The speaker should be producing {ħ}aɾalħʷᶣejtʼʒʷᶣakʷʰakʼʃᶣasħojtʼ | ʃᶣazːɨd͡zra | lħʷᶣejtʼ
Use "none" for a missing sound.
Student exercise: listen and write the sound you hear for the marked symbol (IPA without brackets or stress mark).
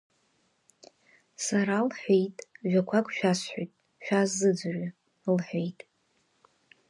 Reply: s